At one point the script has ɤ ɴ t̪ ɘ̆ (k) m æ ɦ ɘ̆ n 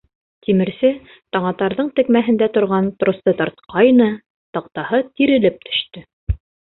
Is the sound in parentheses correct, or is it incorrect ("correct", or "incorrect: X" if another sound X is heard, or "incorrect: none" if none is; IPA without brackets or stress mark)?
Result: correct